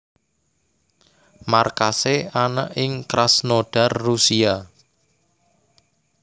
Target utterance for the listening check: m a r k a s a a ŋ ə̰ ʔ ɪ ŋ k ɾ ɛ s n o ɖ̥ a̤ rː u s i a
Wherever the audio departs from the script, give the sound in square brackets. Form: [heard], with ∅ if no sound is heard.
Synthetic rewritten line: m a r k a s [e] a [n] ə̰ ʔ ɪ ŋ k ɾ [a] s n o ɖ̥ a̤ rː u s i a